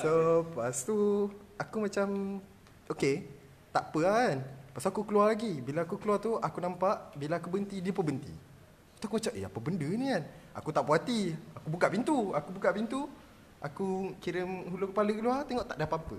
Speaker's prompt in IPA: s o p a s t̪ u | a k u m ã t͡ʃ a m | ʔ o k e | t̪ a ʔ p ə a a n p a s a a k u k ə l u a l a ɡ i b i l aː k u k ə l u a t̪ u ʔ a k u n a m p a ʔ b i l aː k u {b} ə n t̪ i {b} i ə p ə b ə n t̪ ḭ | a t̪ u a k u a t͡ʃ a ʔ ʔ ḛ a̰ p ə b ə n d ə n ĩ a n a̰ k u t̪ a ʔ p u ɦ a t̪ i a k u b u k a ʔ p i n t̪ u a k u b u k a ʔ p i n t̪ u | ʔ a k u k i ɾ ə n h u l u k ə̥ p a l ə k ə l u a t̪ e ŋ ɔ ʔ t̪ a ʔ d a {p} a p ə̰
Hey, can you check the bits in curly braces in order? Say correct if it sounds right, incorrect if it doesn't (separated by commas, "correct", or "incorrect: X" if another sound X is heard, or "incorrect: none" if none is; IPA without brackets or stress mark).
correct, incorrect: d, correct